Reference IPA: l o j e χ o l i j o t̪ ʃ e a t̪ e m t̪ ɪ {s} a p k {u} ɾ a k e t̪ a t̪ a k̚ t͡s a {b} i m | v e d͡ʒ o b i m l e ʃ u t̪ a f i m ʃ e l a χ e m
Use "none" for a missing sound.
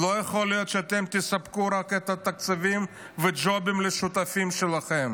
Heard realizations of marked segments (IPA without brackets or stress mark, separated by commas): s, u, v